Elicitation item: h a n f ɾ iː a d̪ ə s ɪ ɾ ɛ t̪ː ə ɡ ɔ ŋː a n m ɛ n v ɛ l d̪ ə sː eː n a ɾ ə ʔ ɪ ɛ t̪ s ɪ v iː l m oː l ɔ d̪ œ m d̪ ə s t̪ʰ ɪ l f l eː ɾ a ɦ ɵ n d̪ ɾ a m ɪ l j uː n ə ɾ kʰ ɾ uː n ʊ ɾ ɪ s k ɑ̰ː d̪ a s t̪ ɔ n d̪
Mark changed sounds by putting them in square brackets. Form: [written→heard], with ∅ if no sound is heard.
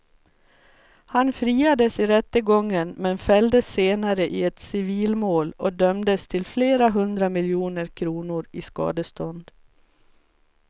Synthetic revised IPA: h a n f ɾ iː a d̪ ə s ɪ ɾ ɛ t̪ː ə ɡ ɔ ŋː [a→ə] n m ɛ n [v→f] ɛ l d̪ ə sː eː n a ɾ ə ʔ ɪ ɛ t̪ s ɪ v iː l m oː l ɔ d̪ œ m d̪ ə s t̪ʰ ɪ l f l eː ɾ a ɦ ɵ n d̪ ɾ a m ɪ l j uː n ə ɾ kʰ ɾ uː n ʊ ɾ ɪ s k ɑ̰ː d̪ [a→ə] s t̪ ɔ n d̪